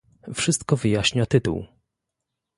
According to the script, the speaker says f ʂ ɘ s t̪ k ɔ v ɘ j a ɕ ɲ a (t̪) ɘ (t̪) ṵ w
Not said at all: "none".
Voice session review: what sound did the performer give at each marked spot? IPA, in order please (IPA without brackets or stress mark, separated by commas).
t̪, t̪